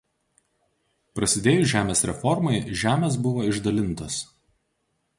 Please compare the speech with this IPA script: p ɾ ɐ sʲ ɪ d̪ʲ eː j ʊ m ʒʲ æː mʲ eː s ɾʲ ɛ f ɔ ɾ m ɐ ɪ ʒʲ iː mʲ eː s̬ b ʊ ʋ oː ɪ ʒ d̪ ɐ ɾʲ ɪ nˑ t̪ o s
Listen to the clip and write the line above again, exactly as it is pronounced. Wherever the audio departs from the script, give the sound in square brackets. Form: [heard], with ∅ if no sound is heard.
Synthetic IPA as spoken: p ɾ ɐ sʲ ɪ d̪ʲ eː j ʊ [∅] ʒʲ æː mʲ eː s ɾʲ ɛ f ɔ ɾ m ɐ ɪ ʒʲ [æː] mʲ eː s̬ b ʊ ʋ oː ɪ ʒ d̪ ɐ [lʲ] ɪ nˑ t̪ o s